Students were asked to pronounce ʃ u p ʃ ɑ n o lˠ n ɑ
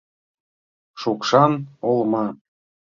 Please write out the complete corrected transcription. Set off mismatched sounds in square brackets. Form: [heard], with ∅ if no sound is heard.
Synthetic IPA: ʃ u [k] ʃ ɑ n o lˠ [m] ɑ